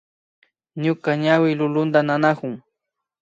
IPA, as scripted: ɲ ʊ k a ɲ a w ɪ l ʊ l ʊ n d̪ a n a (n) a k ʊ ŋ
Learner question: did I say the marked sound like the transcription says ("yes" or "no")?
yes